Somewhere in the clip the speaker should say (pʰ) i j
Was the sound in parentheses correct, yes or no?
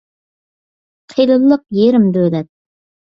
no